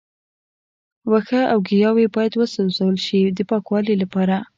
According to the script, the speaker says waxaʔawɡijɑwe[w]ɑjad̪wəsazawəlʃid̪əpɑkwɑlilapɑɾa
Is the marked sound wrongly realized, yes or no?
yes